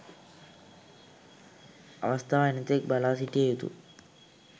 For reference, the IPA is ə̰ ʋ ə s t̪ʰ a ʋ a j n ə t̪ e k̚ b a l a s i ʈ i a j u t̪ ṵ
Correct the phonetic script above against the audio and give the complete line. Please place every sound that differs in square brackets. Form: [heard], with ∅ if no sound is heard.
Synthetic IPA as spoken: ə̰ ʋ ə s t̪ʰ a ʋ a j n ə t̪ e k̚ b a l a s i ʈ i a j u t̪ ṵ